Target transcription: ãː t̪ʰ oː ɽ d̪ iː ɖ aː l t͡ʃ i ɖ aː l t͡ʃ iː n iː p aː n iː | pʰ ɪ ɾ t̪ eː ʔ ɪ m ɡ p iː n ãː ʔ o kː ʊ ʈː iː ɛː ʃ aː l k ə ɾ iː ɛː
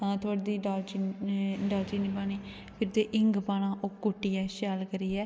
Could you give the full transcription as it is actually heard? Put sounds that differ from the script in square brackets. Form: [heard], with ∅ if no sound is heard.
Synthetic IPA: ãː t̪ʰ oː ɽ d̪ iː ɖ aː l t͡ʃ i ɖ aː l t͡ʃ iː n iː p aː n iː | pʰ ɪ ɾ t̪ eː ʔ ɪ [ŋ] ɡ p [aː] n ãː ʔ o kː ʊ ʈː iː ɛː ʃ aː l k ə ɾ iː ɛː